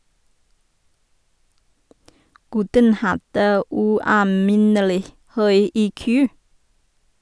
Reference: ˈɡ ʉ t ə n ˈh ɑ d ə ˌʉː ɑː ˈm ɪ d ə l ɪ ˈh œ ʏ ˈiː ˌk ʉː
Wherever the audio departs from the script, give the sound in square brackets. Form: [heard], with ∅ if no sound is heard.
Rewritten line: ˈɡ ʉ t ə n ˈh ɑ d ə ˌʉː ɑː ˈm ɪ [n] ə l ɪ ˈh œ ʏ ˈiː ˌk ʉː